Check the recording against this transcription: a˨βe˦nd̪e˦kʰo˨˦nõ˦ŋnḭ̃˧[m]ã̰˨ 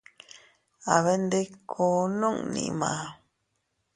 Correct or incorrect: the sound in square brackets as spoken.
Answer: correct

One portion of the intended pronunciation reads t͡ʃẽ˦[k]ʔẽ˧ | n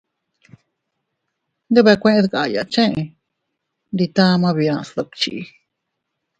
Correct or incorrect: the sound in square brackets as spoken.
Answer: incorrect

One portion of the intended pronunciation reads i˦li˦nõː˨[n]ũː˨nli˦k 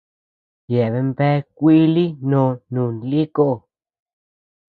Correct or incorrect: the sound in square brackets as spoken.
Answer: correct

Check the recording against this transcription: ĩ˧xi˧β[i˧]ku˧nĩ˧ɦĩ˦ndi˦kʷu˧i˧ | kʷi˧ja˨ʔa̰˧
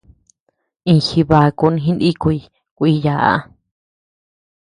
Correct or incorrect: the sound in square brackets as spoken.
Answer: incorrect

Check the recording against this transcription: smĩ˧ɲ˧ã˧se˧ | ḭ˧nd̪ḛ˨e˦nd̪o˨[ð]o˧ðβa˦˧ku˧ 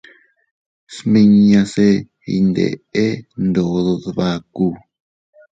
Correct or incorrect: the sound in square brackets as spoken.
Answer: correct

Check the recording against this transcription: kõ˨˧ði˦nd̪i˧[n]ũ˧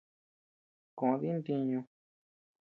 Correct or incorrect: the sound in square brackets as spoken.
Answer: incorrect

